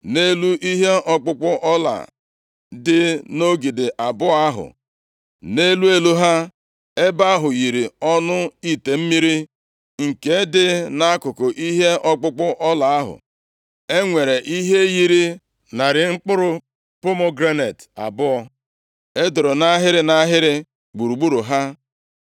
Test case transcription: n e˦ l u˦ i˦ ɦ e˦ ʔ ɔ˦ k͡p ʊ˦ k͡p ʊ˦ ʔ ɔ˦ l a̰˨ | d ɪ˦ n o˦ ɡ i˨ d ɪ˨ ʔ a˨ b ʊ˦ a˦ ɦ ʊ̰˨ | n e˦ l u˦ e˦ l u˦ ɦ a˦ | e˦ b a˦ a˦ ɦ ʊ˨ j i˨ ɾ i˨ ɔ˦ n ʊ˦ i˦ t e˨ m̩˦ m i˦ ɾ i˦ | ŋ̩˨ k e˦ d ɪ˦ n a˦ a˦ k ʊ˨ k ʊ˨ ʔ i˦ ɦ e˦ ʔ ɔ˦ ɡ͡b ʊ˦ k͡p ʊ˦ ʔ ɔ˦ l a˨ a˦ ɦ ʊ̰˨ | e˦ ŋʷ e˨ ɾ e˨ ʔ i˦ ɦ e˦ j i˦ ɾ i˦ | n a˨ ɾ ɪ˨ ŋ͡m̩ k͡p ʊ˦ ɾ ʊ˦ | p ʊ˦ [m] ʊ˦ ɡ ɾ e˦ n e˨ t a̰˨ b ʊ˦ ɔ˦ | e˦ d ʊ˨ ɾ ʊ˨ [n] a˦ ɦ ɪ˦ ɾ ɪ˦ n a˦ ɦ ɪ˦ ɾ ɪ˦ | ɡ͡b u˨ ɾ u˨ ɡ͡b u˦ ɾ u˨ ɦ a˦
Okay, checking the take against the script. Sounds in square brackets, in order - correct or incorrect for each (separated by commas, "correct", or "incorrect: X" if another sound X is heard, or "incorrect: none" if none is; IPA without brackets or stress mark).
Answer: correct, correct